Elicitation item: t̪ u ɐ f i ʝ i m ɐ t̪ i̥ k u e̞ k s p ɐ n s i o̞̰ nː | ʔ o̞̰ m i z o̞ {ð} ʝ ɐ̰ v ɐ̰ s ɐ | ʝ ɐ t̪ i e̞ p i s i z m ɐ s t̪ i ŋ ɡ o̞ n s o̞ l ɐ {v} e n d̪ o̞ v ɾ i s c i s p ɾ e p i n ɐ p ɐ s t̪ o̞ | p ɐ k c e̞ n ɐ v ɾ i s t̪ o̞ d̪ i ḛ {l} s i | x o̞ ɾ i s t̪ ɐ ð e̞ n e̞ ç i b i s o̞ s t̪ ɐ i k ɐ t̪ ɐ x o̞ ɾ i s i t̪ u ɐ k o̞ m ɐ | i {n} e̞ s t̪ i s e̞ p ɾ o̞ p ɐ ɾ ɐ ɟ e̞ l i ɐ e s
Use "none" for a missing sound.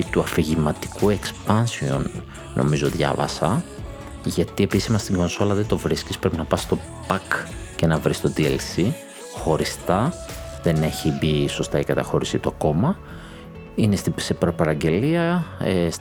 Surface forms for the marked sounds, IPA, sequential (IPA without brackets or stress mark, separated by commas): ð, ð, l, n